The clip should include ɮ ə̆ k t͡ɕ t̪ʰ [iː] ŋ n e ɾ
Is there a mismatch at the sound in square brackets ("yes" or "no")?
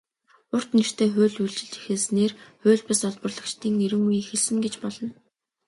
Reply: no